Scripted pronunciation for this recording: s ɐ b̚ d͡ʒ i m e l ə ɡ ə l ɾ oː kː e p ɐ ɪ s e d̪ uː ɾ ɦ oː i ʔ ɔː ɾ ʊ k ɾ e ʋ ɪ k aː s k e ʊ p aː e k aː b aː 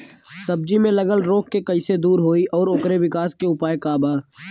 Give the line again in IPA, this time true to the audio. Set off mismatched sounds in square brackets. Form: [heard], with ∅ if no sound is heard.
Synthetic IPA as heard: s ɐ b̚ d͡ʒ i m [ẽ] l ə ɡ ə l ɾ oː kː e [k] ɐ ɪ s e d̪ uː ɾ ɦ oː i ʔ ɔː ɾ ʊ k ɾ e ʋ ɪ k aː s k e ʊ p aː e k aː b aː